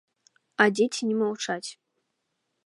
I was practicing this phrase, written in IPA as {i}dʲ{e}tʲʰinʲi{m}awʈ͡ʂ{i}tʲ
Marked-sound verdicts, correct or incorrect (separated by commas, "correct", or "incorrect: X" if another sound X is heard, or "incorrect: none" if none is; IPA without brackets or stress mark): incorrect: a, correct, correct, incorrect: a